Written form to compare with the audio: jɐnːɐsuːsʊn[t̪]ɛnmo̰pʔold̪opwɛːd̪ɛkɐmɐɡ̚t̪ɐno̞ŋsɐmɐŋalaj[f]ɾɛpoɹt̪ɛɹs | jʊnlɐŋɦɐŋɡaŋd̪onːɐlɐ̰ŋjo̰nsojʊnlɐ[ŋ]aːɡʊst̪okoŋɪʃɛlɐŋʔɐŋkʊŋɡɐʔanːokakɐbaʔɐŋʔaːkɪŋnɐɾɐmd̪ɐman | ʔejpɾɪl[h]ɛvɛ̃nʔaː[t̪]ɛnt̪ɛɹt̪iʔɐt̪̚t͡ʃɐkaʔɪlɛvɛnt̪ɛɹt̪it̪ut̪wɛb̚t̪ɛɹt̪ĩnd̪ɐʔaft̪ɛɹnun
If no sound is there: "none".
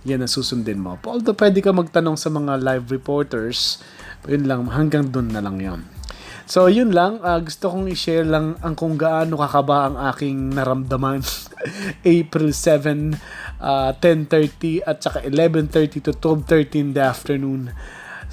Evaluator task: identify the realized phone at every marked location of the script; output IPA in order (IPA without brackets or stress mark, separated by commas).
d̪, v, ŋ, s, t̪